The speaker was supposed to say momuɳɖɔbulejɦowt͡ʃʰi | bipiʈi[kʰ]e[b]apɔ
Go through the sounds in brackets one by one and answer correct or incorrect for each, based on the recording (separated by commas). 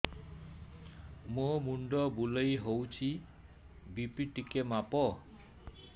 incorrect, incorrect